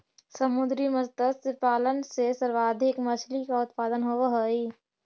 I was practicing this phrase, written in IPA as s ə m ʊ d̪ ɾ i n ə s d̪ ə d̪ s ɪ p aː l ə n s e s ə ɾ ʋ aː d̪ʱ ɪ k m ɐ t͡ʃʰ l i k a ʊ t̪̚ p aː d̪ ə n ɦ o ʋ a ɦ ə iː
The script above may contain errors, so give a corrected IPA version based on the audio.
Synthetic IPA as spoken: s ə m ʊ d̪ ɾ i m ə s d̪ ə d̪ s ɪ p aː l ə n s e s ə ɾ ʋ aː d̪ʱ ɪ k m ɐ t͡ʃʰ l i k a ʊ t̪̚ p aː d̪ ə n ɦ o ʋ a ɦ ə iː